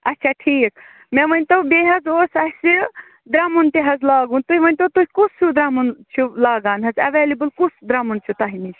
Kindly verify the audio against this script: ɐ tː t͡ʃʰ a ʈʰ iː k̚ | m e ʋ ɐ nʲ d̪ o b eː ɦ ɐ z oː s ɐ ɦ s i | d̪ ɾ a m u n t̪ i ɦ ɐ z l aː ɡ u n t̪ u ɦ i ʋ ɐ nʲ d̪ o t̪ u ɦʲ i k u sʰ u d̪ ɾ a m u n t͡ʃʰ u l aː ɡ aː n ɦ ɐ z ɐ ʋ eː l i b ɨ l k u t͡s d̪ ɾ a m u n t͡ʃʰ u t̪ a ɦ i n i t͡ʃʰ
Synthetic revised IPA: ɐ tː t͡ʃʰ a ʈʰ iː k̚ | m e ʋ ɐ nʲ t̪ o b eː ɦ ɐ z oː s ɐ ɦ s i | d̪ ɾ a m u n t̪ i ɦ ɐ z l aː ɡ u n t̪ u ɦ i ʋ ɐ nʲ t̪ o t̪ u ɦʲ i k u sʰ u d̪ ɾ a m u n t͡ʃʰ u l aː ɡ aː n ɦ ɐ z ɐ ʋ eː l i b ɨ l k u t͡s d̪ ɾ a m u n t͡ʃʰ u t̪ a ɦ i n i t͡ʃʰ